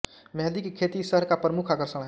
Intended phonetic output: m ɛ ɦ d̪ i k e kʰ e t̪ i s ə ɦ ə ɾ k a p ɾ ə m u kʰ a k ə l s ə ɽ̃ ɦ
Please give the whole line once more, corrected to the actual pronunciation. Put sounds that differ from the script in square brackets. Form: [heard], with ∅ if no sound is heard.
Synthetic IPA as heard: m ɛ ɦ d̪ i k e kʰ e t̪ i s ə ɦ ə ɾ k a p ɾ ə m u kʰ a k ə [ɾ] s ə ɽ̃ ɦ